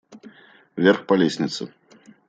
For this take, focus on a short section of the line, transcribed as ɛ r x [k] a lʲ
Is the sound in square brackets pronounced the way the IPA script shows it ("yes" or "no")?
no